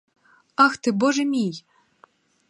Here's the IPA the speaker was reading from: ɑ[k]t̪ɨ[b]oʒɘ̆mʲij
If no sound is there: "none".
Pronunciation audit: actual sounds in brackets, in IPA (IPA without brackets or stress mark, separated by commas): x, b